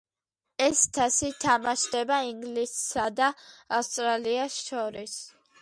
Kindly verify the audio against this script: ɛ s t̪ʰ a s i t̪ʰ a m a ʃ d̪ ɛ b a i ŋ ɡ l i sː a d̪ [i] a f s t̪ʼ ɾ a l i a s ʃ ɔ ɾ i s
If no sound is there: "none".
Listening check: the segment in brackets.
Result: a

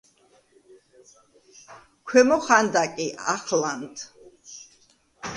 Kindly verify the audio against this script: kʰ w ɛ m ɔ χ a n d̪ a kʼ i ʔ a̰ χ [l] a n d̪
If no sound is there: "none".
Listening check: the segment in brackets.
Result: l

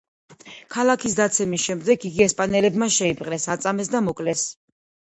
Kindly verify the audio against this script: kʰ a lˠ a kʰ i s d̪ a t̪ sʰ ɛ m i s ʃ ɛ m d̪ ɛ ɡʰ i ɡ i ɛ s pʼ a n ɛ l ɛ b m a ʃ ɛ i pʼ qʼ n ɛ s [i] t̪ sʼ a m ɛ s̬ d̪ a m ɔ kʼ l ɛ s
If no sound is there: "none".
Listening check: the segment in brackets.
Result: a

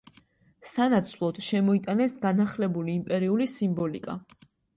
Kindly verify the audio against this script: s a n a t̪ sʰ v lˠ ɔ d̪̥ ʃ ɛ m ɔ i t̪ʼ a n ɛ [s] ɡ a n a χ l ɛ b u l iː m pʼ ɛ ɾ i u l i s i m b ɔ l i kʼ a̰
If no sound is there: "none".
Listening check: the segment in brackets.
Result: s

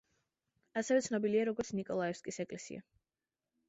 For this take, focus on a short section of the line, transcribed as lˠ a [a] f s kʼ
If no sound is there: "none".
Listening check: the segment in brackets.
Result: ɛ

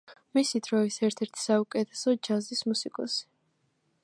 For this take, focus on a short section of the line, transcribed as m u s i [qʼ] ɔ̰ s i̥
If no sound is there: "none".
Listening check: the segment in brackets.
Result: kʼ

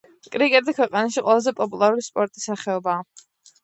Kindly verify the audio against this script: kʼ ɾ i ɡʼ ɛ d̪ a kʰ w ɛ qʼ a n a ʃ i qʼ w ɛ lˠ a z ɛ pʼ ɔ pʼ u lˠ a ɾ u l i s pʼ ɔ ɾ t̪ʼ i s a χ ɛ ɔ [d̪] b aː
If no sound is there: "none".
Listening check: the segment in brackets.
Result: none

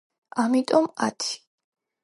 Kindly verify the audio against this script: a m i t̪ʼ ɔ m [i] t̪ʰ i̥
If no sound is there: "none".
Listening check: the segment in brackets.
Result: a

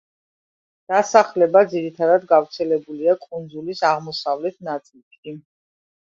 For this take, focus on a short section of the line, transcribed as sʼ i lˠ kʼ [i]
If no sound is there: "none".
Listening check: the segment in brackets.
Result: i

